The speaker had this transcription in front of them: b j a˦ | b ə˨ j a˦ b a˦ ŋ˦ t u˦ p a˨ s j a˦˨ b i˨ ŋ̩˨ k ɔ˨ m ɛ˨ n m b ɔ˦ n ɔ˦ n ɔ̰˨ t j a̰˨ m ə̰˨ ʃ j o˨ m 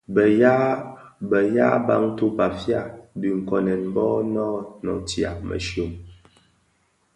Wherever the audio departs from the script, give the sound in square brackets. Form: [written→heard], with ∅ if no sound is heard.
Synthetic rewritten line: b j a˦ | b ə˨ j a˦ b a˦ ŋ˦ t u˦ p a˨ [s→f] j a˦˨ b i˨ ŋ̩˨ k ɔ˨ [m→n] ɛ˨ n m b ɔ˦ n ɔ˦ n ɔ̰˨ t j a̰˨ m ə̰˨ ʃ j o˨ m